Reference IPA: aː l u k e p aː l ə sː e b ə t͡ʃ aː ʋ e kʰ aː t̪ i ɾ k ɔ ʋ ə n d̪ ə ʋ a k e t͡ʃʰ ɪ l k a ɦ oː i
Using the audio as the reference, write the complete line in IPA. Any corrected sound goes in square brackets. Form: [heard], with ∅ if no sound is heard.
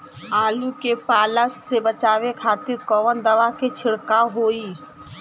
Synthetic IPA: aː l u k e p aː l ə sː e b ə t͡ʃ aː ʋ e kʰ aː t̪ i ɾ k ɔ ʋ ə n d̪ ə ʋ a k e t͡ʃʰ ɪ [ɽ] k a ɦ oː i